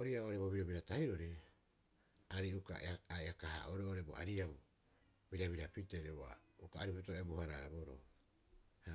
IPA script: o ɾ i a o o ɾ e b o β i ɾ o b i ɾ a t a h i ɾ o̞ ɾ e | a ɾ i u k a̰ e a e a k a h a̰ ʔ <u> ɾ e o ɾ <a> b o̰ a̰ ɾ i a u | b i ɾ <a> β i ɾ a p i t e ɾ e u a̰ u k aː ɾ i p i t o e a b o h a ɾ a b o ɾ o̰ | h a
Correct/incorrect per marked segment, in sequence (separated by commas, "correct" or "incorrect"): incorrect, incorrect, correct